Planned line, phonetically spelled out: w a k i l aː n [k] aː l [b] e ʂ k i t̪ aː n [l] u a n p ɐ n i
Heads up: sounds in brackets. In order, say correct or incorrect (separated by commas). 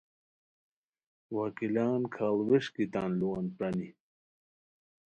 incorrect, incorrect, correct